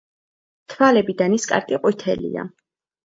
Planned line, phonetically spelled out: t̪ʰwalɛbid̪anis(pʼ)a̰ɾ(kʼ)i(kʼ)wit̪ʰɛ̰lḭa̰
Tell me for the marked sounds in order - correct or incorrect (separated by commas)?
incorrect, correct, incorrect